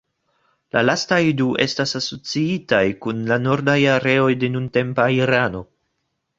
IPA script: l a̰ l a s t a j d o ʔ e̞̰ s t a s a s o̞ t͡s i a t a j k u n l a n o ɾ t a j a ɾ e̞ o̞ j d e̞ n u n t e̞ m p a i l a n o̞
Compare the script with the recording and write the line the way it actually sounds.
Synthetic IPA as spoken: l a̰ l a s t a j d u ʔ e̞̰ s t a s a s o̞ t͡s i i t a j k u n l a n o ɾ d a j a ɾ e̞ o̞ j d e̞ n u n t e̞ m p a i ɾ a n o̞